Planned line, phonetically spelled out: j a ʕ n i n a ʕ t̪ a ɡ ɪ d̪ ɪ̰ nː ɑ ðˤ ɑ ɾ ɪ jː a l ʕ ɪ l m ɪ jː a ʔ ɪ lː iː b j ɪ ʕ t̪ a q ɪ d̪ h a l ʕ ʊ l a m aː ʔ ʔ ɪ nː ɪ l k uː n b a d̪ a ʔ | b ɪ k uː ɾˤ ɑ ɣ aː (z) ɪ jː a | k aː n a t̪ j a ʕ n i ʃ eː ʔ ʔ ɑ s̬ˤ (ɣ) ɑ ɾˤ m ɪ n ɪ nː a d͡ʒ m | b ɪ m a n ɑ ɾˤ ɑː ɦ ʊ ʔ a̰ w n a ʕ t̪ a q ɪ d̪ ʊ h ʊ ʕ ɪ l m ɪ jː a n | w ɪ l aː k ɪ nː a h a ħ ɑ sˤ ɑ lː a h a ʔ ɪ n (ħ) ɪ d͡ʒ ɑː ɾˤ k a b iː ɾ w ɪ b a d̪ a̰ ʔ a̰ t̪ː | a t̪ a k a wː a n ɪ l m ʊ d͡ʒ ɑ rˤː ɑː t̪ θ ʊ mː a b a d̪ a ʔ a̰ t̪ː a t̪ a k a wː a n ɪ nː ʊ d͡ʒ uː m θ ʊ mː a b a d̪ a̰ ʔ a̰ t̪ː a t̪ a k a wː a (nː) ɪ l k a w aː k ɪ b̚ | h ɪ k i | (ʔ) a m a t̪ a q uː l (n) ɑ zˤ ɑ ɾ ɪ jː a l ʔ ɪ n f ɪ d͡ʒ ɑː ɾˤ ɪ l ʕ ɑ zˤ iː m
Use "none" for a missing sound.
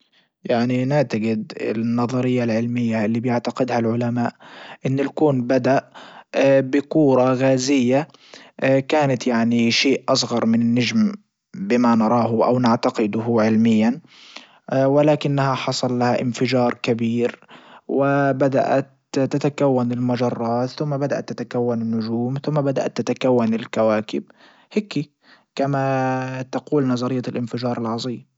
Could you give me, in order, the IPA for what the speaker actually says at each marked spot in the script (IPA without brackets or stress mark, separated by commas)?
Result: z, ɣ, f, n, k, n